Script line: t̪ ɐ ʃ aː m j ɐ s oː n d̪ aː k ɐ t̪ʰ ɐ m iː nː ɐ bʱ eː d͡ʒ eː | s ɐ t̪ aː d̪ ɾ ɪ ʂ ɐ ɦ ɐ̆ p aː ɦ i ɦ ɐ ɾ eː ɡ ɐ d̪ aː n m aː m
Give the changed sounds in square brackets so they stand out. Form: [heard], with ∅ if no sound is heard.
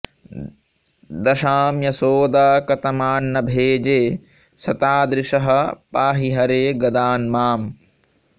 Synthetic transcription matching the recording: [d̪] ɐ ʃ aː m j ɐ s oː [∅] d̪ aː k ɐ [t̪] ɐ m [aː] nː ɐ bʱ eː d͡ʒ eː | s ɐ t̪ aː d̪ ɾ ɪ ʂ ɐ ɦ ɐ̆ p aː ɦ i ɦ ɐ ɾ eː ɡ ɐ d̪ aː n m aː m